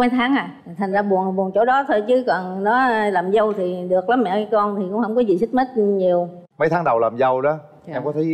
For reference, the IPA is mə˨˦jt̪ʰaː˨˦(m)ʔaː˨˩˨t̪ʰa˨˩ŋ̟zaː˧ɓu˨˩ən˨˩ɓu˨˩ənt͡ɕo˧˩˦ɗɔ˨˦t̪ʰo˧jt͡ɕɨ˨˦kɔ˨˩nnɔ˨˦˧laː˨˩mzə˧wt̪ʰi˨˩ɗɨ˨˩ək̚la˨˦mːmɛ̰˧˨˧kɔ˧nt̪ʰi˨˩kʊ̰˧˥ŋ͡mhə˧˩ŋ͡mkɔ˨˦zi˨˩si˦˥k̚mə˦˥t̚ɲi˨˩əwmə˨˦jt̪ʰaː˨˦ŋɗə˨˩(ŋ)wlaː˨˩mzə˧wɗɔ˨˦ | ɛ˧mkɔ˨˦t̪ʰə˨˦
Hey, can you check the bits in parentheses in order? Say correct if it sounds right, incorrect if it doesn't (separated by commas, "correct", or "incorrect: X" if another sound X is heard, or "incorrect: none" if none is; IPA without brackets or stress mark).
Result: incorrect: ŋ, incorrect: none